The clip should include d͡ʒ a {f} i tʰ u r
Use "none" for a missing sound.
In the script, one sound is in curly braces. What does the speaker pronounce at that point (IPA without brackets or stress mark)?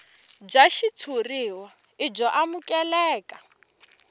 ʃ